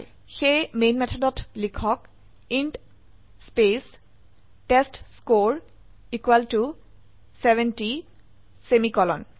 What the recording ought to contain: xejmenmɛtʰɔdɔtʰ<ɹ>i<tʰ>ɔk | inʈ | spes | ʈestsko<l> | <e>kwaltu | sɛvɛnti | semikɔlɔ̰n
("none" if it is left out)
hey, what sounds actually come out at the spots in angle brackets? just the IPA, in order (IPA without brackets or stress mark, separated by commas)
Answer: l, kʰ, ɹ, i